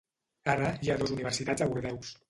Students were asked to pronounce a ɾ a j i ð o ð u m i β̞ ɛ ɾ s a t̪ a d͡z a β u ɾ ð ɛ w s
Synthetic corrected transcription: a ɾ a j a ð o z u n i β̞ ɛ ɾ s i t̪ a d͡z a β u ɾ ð ɛ w s